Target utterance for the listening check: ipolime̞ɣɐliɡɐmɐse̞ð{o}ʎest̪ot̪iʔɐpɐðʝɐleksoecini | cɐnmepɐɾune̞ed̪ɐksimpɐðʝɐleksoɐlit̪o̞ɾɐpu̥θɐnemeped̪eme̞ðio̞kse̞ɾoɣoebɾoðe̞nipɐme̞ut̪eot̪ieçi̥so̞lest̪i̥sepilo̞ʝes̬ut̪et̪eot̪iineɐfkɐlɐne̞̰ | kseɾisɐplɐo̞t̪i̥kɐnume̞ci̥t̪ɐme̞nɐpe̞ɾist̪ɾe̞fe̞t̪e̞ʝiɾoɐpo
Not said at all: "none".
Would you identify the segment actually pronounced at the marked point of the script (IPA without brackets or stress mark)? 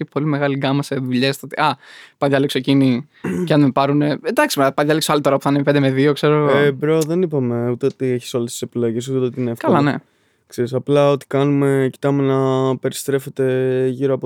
u